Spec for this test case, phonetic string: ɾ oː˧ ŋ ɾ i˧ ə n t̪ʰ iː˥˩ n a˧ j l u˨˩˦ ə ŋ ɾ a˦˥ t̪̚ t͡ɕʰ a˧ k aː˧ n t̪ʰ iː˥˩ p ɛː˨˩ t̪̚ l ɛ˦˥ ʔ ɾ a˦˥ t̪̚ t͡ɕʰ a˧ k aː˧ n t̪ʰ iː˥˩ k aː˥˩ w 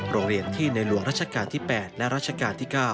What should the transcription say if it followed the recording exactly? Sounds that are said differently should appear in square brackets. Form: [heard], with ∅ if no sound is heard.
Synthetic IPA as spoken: ɾ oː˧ ŋ ɾ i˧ ə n t̪ʰ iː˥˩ n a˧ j l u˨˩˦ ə ŋ ɾ a˦˥ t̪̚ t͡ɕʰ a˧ k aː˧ n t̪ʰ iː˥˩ p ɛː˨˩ t̪̚ l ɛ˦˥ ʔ ɾ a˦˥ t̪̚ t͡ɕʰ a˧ k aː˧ n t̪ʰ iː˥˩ k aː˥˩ w